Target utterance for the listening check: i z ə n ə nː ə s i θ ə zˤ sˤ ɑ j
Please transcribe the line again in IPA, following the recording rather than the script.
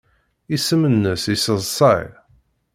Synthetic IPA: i s ə m ə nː ə s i s ə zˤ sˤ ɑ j